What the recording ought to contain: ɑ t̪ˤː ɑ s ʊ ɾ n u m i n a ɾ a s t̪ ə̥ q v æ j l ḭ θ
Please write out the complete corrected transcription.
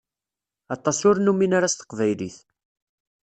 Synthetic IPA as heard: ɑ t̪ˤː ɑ s ʊ ɾ n u m i n a ɾ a s t̪ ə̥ q v æ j l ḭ θ